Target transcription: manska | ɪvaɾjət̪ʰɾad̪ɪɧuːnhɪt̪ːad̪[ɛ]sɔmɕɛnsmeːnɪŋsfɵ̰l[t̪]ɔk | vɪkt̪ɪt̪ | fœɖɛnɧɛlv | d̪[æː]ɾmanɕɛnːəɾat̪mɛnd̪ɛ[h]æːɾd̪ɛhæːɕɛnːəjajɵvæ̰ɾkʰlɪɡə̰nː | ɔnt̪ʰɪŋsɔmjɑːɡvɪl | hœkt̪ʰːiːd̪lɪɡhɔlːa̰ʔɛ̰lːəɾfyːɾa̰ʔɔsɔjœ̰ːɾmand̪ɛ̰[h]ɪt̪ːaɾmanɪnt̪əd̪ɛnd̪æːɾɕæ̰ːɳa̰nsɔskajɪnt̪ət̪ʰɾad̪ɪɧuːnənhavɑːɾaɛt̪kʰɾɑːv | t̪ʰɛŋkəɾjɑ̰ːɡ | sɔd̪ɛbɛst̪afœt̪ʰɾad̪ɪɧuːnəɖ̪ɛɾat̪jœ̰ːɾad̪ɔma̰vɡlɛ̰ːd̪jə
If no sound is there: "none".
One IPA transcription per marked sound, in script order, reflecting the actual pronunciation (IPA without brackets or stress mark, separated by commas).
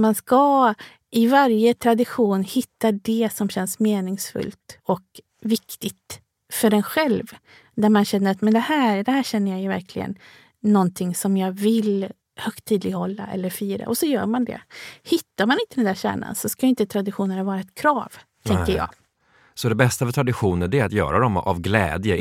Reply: ɛ, t̪, æ, h, h